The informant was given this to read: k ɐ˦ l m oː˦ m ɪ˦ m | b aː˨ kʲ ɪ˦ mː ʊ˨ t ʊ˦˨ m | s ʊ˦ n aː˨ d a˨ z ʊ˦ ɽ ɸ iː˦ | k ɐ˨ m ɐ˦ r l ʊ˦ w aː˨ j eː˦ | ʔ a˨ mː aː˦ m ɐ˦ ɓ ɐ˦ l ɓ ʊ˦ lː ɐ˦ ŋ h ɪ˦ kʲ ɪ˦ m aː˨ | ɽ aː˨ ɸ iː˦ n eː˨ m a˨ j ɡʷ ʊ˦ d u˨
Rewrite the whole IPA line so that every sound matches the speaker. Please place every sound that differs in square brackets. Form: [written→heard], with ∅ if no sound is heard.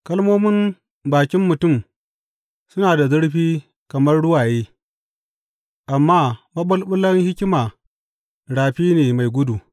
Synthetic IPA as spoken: k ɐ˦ l m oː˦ m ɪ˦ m | b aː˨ kʲ ɪ˦ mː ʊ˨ t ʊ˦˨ m | s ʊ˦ n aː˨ d a˨ z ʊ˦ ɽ ɸ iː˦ | k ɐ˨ m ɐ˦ r [l→ɽ] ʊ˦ w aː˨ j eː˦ | ʔ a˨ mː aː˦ m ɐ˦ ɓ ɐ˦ l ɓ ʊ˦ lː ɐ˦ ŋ h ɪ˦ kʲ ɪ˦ m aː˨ | ɽ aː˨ ɸ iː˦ n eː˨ m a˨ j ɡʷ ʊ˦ d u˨